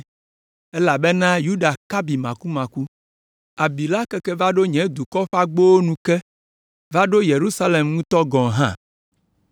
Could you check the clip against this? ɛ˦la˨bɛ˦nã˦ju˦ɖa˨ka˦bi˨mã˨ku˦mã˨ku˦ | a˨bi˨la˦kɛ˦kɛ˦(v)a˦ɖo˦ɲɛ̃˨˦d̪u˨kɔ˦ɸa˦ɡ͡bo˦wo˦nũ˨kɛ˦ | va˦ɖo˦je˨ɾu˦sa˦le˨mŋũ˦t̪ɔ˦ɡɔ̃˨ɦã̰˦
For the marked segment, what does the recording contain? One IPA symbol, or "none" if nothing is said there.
v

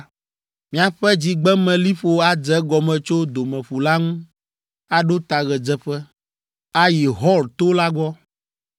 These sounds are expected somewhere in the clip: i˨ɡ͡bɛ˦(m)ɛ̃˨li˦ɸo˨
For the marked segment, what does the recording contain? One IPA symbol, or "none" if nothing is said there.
m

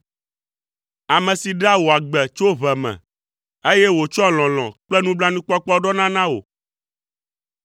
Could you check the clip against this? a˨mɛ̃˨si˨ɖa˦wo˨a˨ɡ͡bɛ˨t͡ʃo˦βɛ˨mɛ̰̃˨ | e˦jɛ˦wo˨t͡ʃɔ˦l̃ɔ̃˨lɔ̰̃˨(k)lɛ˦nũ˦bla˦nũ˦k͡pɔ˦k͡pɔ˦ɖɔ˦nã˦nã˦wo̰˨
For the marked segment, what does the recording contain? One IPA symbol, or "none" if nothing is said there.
k͡p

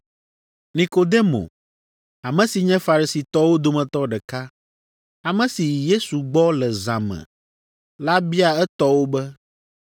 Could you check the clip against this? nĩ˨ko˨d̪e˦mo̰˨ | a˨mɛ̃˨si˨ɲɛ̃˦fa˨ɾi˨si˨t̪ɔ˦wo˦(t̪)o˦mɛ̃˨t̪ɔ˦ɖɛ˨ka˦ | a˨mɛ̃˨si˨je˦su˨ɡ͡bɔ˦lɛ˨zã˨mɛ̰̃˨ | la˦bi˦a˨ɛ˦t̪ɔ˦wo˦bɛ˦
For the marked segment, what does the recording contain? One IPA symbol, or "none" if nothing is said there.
d̪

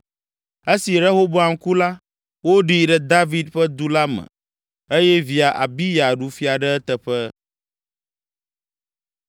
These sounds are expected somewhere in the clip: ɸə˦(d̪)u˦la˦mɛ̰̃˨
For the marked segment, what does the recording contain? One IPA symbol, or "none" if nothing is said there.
d̪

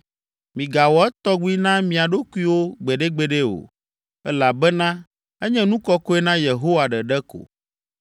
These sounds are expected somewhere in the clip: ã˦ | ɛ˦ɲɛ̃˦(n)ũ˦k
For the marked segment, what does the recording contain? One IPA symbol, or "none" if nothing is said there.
n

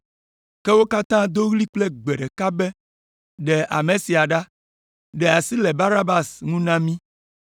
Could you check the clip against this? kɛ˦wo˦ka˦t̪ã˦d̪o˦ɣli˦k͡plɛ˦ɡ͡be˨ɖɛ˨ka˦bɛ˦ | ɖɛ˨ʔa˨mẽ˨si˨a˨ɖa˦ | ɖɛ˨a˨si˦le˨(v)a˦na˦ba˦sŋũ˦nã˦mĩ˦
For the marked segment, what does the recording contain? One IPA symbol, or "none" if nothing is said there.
b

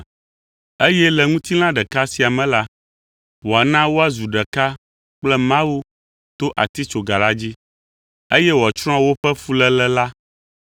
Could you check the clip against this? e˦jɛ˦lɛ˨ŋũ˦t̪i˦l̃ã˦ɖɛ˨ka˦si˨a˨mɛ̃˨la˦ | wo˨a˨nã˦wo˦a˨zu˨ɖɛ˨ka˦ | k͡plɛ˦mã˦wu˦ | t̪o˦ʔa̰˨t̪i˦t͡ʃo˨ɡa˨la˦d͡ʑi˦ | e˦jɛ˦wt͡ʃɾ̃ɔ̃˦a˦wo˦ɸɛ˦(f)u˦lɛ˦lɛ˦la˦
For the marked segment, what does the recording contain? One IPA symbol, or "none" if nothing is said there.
f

